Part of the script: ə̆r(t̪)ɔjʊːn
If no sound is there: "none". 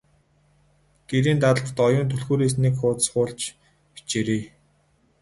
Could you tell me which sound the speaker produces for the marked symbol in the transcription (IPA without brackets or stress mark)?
t̪